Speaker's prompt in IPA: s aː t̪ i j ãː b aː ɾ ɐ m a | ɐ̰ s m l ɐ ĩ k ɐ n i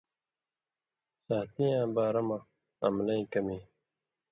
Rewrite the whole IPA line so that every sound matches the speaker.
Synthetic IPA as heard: s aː t̪ i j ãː b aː ɾ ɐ m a | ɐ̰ m l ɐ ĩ k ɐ m i